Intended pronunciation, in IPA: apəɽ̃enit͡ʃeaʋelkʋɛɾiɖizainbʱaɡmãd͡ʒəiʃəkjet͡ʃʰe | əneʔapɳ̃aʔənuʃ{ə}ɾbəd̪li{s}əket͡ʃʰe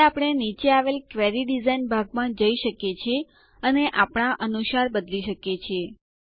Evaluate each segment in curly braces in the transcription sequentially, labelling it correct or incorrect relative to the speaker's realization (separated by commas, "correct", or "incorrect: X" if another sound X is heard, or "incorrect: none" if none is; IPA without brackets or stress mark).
incorrect: a, incorrect: ʃ